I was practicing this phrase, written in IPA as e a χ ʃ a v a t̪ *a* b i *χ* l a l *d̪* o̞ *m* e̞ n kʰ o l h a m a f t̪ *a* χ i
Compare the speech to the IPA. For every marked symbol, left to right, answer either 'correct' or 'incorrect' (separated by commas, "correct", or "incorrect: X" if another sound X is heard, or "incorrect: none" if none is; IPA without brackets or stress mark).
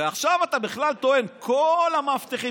correct, correct, incorrect: t̪, incorrect: none, incorrect: e